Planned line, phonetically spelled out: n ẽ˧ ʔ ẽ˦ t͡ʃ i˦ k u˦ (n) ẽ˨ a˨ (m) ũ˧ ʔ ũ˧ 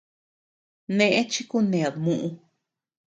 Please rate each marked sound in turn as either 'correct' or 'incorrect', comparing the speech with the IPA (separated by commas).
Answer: correct, correct